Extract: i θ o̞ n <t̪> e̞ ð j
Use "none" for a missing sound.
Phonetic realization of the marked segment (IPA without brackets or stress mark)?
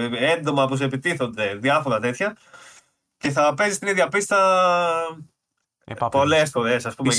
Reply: d̪